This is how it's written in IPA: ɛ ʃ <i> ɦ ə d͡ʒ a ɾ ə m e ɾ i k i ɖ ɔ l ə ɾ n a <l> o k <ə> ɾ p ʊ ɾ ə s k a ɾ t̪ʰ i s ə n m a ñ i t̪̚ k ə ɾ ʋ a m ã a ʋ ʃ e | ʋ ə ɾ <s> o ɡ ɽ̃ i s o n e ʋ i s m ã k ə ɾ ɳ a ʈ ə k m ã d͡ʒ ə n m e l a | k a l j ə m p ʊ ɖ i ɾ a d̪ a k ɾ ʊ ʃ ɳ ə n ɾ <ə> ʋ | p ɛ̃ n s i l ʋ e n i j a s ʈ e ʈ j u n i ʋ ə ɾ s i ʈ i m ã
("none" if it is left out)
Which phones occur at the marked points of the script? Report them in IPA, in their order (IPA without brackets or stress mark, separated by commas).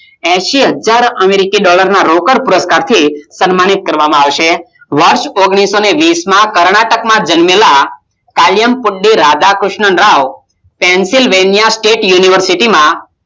i, ɾ, ə, ʃ, a